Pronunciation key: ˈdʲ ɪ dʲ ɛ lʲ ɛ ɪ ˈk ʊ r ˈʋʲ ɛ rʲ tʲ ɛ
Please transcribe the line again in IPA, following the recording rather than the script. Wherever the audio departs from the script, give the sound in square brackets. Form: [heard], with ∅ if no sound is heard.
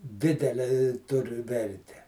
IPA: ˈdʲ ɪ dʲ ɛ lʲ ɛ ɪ [ˈt] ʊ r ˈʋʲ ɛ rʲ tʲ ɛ